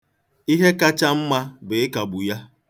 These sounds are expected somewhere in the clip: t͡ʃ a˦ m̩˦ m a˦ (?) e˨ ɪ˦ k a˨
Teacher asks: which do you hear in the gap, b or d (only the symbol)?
b